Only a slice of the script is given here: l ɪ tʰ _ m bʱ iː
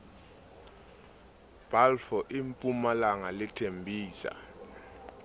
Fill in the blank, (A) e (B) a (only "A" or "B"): A